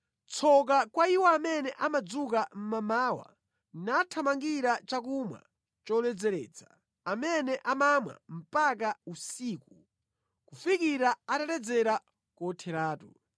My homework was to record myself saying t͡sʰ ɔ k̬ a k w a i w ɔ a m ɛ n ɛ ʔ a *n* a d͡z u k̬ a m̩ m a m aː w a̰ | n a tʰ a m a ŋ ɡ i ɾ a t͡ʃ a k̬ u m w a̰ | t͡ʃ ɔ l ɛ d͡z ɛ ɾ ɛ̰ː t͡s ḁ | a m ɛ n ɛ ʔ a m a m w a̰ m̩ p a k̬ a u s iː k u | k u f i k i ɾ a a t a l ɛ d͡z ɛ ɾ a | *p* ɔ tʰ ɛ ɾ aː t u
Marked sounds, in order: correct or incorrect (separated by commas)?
incorrect, incorrect